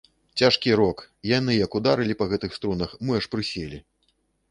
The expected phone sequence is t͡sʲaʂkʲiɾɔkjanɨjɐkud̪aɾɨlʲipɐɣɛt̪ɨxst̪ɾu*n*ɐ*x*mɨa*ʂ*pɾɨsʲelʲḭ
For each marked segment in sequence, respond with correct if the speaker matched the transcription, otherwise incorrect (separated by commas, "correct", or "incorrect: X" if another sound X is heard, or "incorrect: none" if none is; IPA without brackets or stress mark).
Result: correct, correct, correct